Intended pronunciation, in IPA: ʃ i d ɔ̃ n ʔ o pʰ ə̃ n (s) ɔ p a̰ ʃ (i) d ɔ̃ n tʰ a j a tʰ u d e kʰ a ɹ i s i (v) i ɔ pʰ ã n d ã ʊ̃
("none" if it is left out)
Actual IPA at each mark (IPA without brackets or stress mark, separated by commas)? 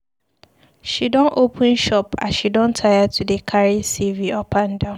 ʃ, i, v